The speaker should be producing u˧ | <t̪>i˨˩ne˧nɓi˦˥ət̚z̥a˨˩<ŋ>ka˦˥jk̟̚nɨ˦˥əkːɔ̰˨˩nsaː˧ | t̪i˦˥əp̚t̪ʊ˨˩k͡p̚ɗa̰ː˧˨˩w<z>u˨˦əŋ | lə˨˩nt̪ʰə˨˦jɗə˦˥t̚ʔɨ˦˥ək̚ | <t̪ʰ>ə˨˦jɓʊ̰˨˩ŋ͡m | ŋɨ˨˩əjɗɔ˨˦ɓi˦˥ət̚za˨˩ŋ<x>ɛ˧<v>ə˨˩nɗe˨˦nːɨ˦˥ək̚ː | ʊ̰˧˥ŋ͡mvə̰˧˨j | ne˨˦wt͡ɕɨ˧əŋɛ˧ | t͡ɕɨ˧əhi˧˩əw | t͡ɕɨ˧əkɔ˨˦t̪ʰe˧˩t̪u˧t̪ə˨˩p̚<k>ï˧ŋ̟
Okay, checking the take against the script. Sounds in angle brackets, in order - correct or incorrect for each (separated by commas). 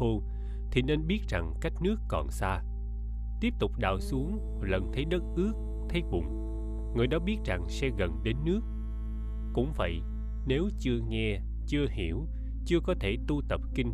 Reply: incorrect, correct, incorrect, correct, incorrect, incorrect, correct